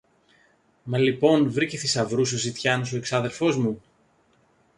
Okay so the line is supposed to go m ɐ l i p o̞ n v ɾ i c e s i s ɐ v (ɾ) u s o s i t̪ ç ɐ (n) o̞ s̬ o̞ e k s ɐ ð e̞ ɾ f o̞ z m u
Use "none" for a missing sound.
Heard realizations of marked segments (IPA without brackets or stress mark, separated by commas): ɾ, n